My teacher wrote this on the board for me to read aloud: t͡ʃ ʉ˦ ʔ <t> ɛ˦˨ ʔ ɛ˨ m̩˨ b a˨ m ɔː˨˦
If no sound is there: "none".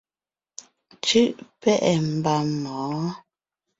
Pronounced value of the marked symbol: p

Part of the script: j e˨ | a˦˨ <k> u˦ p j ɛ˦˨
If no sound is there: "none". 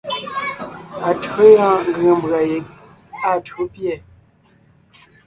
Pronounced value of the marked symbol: t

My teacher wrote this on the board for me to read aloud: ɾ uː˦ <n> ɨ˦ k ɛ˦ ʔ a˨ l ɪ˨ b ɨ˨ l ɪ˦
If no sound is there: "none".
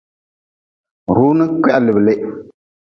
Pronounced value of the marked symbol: n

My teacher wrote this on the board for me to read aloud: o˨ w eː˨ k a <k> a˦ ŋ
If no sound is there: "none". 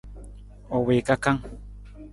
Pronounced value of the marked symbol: k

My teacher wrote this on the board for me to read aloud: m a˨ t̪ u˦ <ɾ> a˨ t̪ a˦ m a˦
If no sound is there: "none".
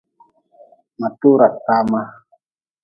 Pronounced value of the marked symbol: ɾ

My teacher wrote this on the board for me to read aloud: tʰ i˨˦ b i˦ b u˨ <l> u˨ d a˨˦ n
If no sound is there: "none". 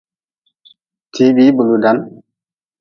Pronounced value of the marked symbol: l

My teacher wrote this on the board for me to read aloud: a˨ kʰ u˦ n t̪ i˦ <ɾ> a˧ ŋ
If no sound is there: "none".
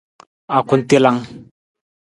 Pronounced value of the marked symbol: l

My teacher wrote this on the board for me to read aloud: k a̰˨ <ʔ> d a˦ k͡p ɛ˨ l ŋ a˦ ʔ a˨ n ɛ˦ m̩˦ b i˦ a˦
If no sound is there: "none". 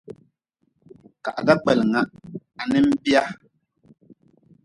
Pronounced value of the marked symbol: ʔ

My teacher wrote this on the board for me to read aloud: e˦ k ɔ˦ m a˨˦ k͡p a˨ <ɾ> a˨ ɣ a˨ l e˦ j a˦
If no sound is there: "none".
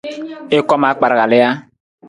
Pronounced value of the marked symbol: ɾ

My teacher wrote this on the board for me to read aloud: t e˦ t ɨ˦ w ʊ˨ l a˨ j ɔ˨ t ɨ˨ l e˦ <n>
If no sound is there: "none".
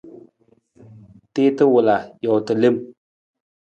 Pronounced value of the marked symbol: m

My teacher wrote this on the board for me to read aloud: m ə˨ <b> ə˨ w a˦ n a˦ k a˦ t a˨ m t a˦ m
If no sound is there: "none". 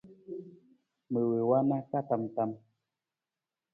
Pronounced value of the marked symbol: w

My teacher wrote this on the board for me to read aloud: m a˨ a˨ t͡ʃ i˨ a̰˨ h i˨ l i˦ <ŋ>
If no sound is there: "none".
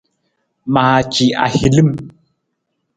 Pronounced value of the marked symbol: m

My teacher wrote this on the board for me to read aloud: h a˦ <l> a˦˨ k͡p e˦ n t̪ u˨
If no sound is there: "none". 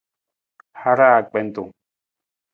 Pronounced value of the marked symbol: ɾ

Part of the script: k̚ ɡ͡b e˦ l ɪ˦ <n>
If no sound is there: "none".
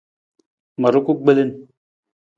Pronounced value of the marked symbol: n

